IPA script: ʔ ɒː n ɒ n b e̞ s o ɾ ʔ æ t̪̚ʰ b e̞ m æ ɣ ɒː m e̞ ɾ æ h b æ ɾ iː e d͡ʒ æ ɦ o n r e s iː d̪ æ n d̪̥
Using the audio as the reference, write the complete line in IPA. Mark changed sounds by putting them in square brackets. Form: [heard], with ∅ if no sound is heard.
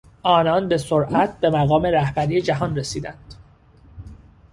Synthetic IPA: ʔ ɒː n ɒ n b e̞ s o ɾ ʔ æ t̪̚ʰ b e̞ m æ ɣ ɒː m e̞ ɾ æ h b æ ɾ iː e d͡ʒ æ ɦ [ɒ] n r e s iː d̪ æ n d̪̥